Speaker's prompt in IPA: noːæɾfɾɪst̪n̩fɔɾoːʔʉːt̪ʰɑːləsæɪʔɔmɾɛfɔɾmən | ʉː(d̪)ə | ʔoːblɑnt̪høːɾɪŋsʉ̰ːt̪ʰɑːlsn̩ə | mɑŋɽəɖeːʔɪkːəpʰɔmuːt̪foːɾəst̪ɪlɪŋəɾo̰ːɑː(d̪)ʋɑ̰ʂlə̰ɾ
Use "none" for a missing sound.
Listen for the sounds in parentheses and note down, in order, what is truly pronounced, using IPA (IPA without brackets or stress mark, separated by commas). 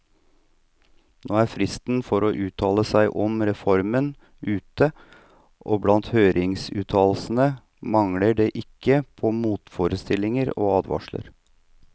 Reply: t̪, d̪